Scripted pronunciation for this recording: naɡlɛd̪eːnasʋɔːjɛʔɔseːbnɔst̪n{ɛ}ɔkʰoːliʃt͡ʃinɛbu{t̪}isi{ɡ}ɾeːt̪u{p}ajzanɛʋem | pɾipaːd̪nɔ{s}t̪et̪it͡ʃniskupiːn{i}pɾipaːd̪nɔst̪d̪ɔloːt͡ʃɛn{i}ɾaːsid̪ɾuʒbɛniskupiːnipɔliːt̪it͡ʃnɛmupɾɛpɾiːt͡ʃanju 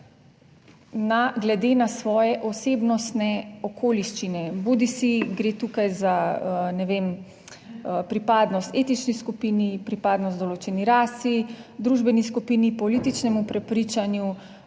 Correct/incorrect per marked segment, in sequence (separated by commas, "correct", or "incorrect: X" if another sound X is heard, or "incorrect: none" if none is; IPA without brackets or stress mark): correct, incorrect: d̪, correct, incorrect: k, correct, correct, correct